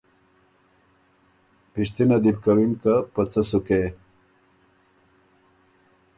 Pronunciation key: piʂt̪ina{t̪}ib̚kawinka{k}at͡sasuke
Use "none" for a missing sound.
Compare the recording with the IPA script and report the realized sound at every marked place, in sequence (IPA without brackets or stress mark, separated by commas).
d̪, p